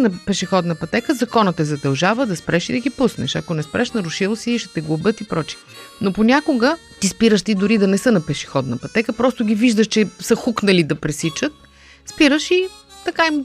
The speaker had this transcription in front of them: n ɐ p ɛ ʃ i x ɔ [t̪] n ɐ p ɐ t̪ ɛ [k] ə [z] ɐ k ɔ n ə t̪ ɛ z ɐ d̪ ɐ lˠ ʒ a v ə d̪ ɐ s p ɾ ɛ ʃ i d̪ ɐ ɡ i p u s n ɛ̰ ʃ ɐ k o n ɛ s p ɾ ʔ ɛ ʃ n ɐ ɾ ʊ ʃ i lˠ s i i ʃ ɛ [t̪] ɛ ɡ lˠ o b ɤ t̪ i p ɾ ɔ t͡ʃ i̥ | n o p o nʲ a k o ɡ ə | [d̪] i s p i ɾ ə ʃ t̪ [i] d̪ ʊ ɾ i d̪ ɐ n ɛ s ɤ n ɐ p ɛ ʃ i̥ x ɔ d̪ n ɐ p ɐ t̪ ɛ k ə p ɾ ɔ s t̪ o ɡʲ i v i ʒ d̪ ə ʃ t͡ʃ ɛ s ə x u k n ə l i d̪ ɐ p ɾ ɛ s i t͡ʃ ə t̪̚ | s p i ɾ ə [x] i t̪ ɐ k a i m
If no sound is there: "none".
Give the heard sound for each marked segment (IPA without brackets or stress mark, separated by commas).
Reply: d̪, k, z, t̪, t̪, i, ʃ